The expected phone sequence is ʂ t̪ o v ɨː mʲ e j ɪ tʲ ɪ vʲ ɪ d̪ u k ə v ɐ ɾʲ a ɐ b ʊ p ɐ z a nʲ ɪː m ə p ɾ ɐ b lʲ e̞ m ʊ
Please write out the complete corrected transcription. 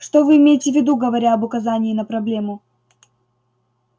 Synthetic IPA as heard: ʂ t̪ o v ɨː mʲ e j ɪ tʲ ɪ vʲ ɪ d̪ u ɡ ə v ɐ ɾʲ a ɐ b ʊ k ɐ z a nʲ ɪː n ə p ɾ ɐ b lʲ e̞ m ʊ